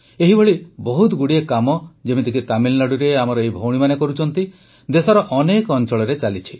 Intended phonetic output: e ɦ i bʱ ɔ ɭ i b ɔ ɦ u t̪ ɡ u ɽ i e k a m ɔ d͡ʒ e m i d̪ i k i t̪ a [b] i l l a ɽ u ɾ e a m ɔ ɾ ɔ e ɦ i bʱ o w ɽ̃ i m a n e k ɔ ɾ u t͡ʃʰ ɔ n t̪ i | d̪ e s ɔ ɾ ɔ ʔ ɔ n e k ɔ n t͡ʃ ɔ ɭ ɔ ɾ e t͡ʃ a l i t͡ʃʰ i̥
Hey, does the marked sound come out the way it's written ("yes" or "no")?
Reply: no